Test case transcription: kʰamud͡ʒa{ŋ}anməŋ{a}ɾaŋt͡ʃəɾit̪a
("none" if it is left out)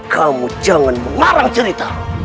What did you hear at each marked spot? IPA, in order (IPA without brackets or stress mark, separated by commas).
ŋ, a